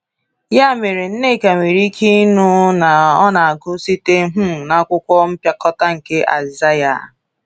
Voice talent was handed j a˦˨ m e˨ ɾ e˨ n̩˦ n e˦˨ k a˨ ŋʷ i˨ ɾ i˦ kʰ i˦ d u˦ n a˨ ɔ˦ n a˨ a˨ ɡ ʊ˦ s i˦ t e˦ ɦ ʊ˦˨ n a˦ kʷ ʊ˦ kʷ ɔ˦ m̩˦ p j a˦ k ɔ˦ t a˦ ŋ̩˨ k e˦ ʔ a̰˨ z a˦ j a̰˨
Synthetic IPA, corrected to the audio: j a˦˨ m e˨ ɾ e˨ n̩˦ n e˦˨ k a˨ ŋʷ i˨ ɾ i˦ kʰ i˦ n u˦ n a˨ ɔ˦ n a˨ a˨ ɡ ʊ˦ s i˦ t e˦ ɦ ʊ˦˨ n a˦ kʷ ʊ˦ kʷ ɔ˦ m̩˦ p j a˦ k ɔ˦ t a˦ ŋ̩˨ k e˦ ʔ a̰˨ z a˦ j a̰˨